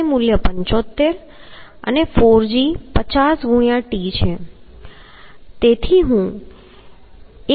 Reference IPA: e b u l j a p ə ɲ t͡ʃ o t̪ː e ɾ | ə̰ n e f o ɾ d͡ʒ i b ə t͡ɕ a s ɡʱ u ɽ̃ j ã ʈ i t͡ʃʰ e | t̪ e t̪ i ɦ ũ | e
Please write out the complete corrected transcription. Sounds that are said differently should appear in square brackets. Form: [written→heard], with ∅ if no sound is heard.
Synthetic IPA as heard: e [b→m] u l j [a→ə] p ə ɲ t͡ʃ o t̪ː e ɾ | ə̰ n e f o ɾ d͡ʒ i [b→p] ə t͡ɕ a s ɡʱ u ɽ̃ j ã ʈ i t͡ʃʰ e | t̪ e [t̪→t̪ʰ] i ɦ ũ | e